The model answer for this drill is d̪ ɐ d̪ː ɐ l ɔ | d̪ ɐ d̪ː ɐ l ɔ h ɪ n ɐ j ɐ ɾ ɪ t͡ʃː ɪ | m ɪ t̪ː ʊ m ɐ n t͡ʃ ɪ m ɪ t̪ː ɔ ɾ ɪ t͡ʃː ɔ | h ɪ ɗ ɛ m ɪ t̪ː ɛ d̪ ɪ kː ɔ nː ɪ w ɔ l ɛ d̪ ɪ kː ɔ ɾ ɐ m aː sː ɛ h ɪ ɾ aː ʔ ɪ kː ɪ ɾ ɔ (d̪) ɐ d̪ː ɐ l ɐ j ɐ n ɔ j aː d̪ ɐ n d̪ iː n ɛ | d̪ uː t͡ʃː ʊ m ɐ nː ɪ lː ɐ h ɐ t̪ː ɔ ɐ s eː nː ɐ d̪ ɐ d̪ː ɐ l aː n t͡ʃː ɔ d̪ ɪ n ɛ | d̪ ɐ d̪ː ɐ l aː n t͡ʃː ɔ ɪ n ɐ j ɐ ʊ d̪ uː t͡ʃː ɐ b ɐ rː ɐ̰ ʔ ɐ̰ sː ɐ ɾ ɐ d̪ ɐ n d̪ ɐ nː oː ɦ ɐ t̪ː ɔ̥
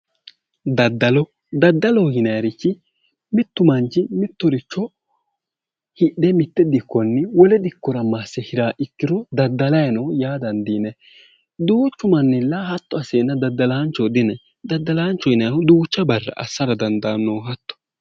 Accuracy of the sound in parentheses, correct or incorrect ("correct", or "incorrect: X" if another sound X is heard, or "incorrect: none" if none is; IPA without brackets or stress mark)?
correct